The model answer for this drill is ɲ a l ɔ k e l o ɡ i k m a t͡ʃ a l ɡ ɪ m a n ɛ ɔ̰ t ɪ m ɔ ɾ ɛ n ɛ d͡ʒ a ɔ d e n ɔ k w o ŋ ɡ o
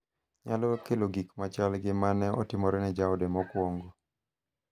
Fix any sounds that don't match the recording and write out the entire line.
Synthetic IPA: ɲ a l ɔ k e l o ɡ i k m a t͡ʃ a l ɡ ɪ m a n ɛ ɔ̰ t ɪ m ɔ ɾ ɛ n ɛ d͡ʒ a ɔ d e m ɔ k w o ŋ ɡ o